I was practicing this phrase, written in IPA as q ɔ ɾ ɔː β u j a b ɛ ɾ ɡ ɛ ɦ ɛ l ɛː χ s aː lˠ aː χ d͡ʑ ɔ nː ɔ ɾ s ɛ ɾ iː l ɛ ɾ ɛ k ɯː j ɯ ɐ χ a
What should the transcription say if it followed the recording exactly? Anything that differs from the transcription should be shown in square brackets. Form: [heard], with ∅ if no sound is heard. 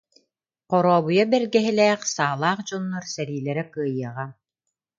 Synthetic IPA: q ɔ ɾ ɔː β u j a b ɛ ɾ ɡ ɛ ɦ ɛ l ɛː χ s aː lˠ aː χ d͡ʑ ɔ nː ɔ ɾ s ɛ ɾ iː l ɛ ɾ ɛ k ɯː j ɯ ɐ [ʁ] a